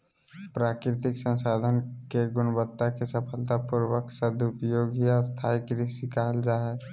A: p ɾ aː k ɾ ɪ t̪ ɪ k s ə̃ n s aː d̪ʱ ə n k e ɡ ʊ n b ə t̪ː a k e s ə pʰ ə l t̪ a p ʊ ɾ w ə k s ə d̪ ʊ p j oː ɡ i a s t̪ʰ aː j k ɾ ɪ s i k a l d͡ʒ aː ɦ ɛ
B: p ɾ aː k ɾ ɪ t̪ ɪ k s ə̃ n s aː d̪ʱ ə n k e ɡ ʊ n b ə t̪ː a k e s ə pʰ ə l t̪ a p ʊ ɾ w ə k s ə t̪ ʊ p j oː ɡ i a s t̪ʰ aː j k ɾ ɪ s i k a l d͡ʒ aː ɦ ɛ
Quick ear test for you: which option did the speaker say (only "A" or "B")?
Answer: A